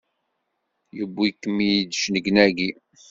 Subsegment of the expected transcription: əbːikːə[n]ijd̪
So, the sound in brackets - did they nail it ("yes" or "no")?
no